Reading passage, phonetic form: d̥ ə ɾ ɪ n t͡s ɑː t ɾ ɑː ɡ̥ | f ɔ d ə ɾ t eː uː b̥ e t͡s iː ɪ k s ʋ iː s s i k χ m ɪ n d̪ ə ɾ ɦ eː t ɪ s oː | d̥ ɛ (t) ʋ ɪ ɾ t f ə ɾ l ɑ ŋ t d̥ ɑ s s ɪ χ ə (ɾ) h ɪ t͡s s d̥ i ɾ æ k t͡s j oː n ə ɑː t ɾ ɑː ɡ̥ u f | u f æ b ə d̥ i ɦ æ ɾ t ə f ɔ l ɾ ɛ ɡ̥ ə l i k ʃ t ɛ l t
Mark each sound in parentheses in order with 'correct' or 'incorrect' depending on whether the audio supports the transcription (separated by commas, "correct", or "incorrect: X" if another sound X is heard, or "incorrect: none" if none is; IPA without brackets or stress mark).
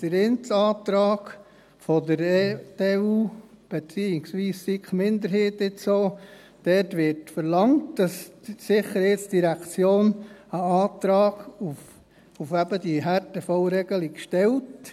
correct, correct